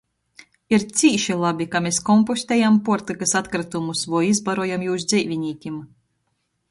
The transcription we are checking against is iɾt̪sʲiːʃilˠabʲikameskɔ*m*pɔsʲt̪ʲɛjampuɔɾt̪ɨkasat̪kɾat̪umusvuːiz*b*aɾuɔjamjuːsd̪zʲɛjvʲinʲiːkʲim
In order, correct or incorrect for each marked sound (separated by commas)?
correct, correct